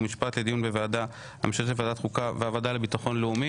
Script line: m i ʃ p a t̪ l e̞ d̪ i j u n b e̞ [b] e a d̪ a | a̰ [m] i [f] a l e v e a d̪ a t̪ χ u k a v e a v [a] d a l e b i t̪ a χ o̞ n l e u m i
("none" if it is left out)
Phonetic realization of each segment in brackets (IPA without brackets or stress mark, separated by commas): v, m, ʃ, a